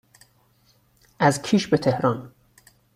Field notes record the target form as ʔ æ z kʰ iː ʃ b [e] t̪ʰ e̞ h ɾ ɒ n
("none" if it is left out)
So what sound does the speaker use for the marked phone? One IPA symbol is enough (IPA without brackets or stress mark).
e